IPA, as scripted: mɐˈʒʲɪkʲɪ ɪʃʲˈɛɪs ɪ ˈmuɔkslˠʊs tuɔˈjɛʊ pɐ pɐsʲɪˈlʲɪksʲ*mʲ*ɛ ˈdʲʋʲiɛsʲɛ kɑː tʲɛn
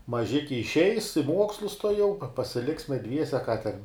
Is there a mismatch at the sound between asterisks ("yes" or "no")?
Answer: no